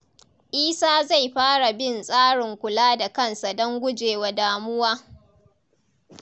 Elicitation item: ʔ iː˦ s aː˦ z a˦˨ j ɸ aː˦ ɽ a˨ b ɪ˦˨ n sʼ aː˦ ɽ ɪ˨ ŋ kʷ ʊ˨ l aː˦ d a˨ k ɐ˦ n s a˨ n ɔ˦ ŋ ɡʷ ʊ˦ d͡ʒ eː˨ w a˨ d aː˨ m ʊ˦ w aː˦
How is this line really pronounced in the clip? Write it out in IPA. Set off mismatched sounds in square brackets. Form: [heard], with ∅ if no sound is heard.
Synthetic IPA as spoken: ʔ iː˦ s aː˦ z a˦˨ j ɸ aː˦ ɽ a˨ b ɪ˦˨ n sʼ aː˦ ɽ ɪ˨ ŋ kʷ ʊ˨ l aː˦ d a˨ k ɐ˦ n s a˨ [d] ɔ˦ ŋ ɡʷ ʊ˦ d͡ʒ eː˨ w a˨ d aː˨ m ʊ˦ w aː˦

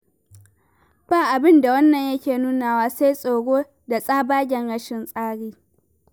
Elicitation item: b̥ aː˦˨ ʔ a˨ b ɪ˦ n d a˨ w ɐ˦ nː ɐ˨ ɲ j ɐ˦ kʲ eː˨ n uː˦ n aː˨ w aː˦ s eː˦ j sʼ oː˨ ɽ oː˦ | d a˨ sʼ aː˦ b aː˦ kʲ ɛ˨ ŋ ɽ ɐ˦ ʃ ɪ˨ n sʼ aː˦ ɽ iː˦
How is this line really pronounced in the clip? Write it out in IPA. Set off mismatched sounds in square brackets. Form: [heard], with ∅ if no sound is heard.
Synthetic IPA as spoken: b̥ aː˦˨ ʔ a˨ b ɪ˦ n d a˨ w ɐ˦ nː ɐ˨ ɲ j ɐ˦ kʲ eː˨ n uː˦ n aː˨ w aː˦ s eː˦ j sʼ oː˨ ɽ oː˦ | d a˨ sʼ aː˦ b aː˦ [ɡʲ] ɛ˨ ŋ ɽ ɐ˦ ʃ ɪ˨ n sʼ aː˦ ɽ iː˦

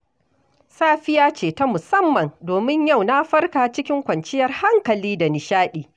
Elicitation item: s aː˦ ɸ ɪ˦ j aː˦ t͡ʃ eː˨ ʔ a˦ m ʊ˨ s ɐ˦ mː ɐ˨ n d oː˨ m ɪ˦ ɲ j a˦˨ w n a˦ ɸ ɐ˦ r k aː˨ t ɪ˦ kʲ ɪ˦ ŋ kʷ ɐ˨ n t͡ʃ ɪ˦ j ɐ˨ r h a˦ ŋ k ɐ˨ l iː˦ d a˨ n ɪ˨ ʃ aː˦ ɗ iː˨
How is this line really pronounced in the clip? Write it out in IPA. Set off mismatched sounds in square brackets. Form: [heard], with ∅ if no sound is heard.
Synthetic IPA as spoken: s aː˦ ɸ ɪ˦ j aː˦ t͡ʃ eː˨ [t] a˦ m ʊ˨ s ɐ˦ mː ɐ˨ n d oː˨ m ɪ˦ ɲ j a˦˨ w n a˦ ɸ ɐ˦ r k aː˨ [t͡ʃ] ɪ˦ kʲ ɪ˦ ŋ kʷ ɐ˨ n t͡ʃ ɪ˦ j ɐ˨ r h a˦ ŋ k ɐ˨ l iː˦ d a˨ n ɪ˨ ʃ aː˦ ɗ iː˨

